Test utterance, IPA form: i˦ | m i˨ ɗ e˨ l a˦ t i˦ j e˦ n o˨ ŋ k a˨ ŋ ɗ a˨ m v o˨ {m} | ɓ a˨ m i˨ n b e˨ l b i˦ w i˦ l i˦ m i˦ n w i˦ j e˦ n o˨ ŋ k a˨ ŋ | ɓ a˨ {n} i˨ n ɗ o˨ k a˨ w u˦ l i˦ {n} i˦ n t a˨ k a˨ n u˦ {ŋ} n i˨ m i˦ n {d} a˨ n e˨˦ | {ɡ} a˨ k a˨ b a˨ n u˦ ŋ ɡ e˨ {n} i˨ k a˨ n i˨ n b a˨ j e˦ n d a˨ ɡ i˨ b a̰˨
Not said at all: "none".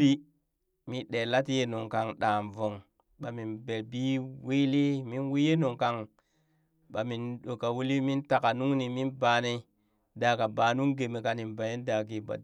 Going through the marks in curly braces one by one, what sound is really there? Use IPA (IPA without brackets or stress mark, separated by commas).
ŋ, m, m, ŋ, b, d, m